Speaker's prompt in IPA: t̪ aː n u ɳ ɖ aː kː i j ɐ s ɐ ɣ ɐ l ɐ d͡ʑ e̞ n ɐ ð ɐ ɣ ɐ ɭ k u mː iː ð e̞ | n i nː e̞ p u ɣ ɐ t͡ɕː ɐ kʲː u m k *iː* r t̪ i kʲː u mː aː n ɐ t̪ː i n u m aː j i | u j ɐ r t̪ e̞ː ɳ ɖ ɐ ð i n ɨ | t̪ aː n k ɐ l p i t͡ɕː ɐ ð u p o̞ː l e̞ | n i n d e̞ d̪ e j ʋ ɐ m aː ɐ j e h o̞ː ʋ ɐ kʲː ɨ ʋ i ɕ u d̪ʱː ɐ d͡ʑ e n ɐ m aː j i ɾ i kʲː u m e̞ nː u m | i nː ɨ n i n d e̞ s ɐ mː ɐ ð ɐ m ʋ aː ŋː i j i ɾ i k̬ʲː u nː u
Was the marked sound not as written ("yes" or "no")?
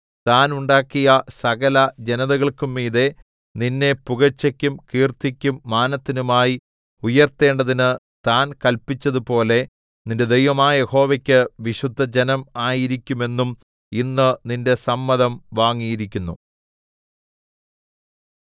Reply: no